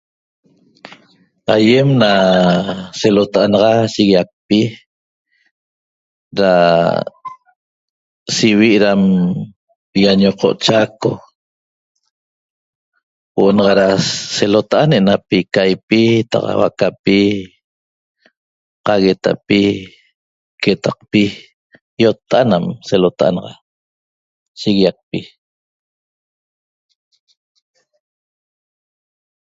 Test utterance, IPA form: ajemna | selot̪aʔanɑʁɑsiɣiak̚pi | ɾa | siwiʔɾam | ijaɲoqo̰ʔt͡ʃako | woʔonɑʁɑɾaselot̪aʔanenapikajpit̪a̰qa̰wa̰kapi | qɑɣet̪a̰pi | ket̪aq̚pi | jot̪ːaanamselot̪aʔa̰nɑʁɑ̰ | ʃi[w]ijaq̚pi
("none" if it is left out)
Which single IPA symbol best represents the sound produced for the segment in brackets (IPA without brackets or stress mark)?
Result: ɣ